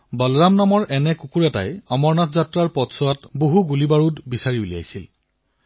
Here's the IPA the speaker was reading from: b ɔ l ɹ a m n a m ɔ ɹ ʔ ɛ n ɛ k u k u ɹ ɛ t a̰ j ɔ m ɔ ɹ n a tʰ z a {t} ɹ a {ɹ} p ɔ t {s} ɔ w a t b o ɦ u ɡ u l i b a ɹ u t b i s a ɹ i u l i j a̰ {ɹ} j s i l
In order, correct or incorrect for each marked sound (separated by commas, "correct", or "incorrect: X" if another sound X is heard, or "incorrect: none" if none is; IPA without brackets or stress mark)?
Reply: correct, correct, correct, incorrect: none